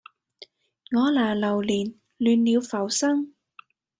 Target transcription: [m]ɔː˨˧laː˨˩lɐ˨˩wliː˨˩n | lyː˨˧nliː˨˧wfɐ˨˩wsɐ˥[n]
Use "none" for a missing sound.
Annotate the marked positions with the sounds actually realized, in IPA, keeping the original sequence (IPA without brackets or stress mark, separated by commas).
ŋ, ŋ